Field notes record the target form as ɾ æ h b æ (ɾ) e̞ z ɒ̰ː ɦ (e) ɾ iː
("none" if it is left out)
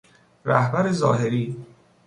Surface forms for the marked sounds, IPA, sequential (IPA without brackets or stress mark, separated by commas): ɾ, e